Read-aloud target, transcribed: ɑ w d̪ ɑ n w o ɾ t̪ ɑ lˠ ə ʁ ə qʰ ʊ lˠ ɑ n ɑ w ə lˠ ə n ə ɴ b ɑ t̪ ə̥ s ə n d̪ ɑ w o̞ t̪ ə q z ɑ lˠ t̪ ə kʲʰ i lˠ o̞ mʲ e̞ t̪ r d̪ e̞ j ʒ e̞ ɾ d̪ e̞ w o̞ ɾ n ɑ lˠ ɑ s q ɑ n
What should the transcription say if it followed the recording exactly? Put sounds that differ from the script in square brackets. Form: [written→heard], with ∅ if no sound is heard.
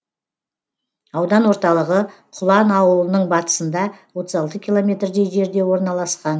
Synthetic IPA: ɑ w d̪ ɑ n w o ɾ t̪ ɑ lˠ ə ʁ ə qʰ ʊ lˠ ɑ n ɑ w ə lˠ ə n ə ɴ b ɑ t̪ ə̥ s ə n d̪ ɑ w o̞ t̪ ə [q→∅] z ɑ lˠ t̪ ə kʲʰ i lˠ o̞ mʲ e̞ t̪ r d̪ e̞ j ʒ e̞ ɾ d̪ e̞ w o̞ ɾ n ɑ lˠ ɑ s q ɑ n